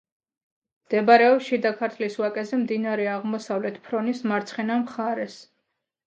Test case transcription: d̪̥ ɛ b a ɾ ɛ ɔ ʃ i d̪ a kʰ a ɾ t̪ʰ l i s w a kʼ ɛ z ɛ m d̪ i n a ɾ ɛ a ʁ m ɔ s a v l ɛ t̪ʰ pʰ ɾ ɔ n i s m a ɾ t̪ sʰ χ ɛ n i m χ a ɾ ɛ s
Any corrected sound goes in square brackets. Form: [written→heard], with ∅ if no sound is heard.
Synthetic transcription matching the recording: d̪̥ ɛ b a ɾ ɛ ɔ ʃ i d̪ a kʰ a ɾ t̪ʰ l i s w a kʼ ɛ z ɛ m d̪ i n a ɾ ɛ a ʁ m ɔ s a v l ɛ t̪ʰ pʰ ɾ ɔ n i s m a ɾ t̪ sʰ χ ɛ n [i→a] m χ a ɾ ɛ s